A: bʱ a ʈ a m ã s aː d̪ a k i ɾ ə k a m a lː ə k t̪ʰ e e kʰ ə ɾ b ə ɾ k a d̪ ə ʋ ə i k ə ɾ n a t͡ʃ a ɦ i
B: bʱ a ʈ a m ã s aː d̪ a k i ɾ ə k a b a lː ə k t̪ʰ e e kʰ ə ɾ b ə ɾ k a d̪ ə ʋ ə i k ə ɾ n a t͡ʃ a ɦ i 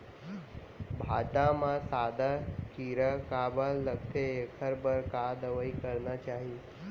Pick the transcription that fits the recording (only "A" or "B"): B